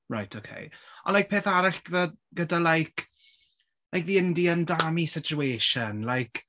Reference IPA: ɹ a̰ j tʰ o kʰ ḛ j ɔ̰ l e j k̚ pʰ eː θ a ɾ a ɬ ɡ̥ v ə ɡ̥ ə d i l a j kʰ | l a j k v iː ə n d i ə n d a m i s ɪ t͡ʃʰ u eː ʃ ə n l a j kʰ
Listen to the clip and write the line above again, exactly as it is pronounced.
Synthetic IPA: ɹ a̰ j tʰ o kʰ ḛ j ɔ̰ l a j k̚ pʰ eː θ a ɾ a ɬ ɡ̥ v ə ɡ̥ ə d a l a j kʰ | l a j k v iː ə n d i ə n d a m i s ɪ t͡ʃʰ u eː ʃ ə n l a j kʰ